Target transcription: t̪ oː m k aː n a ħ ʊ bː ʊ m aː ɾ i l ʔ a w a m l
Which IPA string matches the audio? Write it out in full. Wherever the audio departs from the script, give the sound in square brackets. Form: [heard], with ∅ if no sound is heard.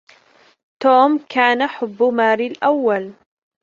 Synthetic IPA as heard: t̪ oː m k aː n a ħ ʊ bː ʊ m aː ɾ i l ʔ a [wː] a [∅] l